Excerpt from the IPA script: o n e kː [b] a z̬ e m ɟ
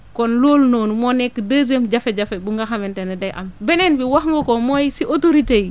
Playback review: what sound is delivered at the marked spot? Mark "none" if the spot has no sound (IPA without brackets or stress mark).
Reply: d